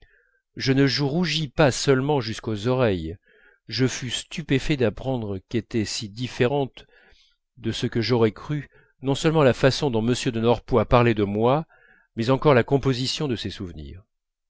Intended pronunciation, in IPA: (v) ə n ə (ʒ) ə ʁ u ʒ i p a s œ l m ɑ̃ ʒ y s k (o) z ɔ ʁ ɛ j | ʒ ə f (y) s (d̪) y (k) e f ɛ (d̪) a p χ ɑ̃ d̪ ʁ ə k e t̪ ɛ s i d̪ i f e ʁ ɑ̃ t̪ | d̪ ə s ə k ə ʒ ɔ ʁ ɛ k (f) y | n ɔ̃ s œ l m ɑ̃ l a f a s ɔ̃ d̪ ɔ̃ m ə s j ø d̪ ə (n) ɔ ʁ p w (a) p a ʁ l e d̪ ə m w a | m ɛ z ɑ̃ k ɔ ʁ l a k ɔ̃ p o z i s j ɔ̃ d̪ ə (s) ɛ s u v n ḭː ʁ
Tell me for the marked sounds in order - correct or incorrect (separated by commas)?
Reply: incorrect, correct, correct, correct, incorrect, incorrect, correct, incorrect, correct, correct, correct